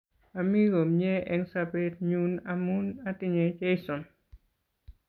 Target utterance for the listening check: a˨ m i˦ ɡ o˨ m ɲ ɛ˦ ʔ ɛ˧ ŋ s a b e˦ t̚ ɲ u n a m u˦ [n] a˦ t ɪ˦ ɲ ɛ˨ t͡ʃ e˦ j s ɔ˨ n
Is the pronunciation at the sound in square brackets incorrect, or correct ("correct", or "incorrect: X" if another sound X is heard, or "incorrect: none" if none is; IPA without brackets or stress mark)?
correct